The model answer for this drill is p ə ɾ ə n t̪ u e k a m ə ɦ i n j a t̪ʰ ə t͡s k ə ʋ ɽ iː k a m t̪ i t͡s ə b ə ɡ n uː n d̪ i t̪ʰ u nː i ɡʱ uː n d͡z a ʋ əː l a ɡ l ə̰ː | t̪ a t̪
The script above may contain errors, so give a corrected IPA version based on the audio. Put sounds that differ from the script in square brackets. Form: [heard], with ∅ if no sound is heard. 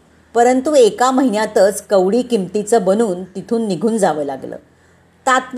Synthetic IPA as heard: p ə ɾ ə n t̪ u e k a m ə ɦ i n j a [t̪] ə t͡s k ə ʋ ɽ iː k [i] m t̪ i t͡s ə b ə [∅] n uː n [t̪] i t̪ʰ [uː] nː i ɡʱ uː n d͡z a ʋ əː l a ɡ l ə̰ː | t̪ a t̪